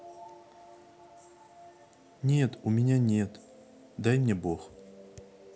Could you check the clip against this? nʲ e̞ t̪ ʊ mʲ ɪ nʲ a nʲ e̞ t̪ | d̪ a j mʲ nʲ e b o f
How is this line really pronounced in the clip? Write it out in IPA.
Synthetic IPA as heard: nʲ e̞ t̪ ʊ mʲ ɪ nʲ a nʲ e̞ t̪ | d̪ a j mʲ nʲ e b o x